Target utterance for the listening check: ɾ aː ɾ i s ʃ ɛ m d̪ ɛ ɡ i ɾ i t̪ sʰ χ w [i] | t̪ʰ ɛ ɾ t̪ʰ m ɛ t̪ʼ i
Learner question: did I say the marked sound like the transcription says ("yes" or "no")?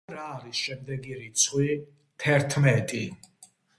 yes